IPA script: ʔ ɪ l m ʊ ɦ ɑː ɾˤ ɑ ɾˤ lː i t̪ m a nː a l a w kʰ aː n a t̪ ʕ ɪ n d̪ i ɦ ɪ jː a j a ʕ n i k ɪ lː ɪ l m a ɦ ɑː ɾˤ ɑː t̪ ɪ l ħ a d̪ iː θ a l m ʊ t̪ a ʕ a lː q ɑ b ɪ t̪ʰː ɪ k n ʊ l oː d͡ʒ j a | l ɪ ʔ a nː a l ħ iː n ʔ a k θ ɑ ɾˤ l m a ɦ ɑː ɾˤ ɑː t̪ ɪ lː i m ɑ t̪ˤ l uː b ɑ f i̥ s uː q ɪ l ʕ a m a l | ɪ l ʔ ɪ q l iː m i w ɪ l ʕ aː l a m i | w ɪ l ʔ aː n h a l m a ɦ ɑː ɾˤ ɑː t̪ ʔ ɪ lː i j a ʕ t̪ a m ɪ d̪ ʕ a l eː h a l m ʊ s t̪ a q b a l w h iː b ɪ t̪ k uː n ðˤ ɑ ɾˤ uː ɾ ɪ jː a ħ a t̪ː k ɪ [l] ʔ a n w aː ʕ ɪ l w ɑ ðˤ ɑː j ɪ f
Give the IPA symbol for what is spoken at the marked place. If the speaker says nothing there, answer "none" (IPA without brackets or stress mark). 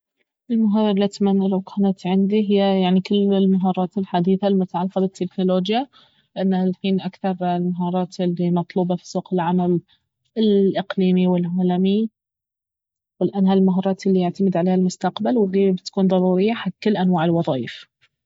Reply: lː